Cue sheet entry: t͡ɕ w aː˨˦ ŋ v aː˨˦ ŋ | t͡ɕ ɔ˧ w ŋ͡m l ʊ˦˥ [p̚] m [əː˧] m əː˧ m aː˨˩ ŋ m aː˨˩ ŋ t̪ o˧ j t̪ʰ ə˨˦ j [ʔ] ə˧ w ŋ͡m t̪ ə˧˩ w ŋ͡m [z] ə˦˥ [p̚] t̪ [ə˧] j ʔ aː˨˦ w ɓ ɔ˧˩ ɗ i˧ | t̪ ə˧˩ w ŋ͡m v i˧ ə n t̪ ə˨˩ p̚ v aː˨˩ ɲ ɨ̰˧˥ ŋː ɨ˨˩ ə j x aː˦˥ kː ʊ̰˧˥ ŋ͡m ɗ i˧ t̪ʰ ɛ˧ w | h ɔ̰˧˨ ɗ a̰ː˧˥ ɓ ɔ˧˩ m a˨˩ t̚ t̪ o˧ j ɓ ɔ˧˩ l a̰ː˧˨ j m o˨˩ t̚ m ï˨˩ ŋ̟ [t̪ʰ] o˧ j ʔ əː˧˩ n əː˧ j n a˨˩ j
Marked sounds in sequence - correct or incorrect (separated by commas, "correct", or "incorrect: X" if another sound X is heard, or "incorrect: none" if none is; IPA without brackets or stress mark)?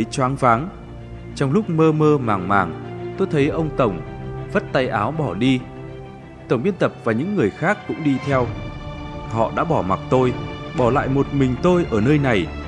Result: incorrect: k͡p̚, correct, correct, incorrect: v, incorrect: t̚, incorrect: a˧, incorrect: t̪